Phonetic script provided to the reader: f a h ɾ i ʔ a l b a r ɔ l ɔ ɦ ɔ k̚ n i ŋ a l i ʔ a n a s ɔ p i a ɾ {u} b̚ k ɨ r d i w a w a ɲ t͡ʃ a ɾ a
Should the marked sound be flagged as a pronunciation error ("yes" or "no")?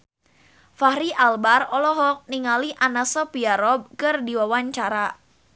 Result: yes